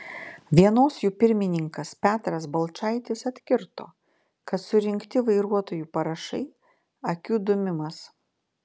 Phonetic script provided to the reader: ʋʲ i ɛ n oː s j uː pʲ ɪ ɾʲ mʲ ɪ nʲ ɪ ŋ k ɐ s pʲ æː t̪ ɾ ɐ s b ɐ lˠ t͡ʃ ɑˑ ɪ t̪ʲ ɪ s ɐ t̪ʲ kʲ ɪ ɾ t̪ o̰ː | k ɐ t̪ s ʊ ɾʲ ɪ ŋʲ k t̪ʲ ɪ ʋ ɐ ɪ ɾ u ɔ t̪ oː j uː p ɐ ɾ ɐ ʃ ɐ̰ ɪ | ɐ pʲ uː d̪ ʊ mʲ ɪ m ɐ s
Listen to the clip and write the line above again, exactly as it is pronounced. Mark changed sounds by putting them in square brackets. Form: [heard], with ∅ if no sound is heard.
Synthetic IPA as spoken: ʋʲ i ɛ n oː s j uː pʲ ɪ ɾʲ mʲ ɪ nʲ ɪ ŋ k ɐ s pʲ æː t̪ ɾ ɐ s b ɐ lˠ t͡ʃ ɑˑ ɪ t̪ʲ ɪ s ɐ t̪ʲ kʲ ɪ ɾ t̪ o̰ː | k ɐ t̪ s ʊ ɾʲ ɪ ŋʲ k t̪ʲ ɪ ʋ ɐ ɪ ɾ u ɔ t̪ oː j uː p ɐ ɾ ɐ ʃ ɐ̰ ɪ | ɐ [kʲ] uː d̪ ʊ mʲ ɪ m ɐ s